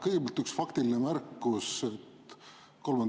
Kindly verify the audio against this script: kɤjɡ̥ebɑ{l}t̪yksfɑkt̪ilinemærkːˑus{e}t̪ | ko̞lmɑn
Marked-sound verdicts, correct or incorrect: correct, correct

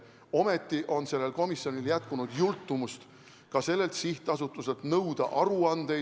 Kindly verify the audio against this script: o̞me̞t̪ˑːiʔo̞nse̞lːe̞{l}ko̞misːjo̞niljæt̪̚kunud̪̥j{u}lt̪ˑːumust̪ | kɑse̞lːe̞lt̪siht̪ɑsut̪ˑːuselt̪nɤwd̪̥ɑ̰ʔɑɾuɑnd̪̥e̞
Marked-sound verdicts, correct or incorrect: correct, correct

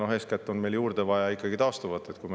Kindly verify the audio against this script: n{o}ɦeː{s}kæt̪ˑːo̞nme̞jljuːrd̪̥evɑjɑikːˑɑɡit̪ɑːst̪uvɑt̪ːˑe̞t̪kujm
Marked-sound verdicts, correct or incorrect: correct, correct

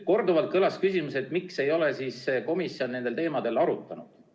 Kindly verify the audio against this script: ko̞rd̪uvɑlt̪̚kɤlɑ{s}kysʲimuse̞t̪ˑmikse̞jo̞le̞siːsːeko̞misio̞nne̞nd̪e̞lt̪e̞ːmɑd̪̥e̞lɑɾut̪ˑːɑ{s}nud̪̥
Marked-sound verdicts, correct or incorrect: correct, incorrect: none

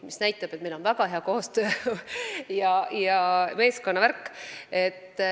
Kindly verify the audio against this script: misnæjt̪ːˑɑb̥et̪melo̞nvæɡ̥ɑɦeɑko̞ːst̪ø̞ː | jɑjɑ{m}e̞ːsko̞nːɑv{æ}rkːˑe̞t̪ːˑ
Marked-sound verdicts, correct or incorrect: correct, correct

